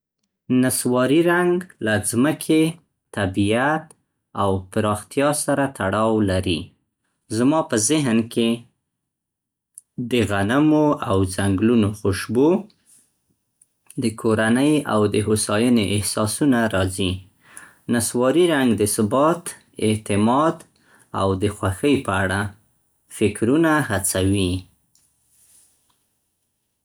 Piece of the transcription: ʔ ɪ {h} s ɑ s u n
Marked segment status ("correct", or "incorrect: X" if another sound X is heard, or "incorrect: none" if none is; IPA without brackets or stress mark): correct